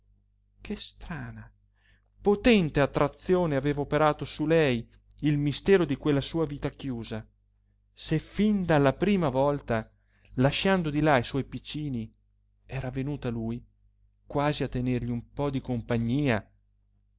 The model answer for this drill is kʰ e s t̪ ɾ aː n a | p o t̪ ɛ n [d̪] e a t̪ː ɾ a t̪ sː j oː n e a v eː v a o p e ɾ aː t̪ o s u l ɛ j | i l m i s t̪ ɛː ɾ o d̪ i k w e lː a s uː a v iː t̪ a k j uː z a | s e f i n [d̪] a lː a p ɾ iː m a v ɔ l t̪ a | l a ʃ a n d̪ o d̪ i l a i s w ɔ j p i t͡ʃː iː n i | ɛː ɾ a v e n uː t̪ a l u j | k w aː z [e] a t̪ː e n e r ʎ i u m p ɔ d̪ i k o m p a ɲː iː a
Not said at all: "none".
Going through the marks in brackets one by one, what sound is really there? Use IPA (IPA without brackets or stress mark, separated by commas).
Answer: t̪, d̪, i